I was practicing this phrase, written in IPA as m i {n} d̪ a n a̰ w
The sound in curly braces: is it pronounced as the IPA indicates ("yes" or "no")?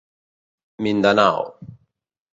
yes